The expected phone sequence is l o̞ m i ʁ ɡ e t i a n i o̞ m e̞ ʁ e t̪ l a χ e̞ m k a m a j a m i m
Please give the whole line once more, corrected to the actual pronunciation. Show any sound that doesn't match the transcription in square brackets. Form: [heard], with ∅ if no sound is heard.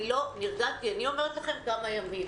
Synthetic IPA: l o̞ [n] i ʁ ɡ [a] t i a n i o̞ m e̞ ʁ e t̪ l a χ e̞ m k a m a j a m i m